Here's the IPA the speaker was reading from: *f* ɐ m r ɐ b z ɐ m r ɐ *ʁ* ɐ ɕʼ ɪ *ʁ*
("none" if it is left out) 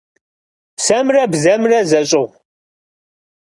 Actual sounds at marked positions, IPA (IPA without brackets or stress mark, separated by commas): s, z, ʁ